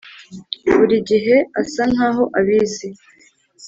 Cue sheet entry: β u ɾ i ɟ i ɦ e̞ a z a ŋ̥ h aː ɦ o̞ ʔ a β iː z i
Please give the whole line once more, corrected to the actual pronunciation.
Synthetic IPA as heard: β u ɾ i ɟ i ɦ e̞ a s a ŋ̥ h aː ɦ o̞ ʔ a β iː z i